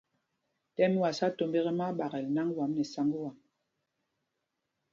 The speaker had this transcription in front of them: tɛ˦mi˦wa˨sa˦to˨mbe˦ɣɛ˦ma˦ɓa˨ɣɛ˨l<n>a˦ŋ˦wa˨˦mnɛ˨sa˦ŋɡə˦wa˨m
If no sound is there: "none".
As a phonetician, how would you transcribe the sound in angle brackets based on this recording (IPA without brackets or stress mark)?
n